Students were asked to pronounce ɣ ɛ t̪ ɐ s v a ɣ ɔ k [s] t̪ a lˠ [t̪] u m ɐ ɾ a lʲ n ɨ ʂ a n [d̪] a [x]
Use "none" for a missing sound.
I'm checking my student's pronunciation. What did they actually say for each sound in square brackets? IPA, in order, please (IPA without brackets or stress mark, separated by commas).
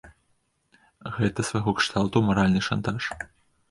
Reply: ʂ, t̪, t̪, ʂ